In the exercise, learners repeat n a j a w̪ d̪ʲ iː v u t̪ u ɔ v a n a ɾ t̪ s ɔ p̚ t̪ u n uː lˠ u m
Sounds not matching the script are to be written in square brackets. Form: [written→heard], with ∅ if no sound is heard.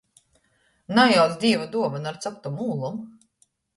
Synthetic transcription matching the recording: n a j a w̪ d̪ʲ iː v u [t̪→d̪] u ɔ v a n a ɾ t̪ s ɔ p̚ t̪ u [n→m] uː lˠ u m